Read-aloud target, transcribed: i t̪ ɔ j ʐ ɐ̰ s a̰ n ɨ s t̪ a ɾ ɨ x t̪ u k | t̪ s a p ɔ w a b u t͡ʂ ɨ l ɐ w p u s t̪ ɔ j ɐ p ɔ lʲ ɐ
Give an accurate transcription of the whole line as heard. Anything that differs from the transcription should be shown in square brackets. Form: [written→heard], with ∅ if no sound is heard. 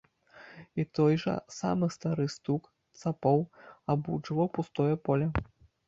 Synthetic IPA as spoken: i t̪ ɔ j ʐ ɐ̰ s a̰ [n→m] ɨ s t̪ a ɾ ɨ [x→s] t̪ u k | t̪ s a p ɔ w a b u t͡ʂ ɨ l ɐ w p u s t̪ ɔ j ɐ p ɔ lʲ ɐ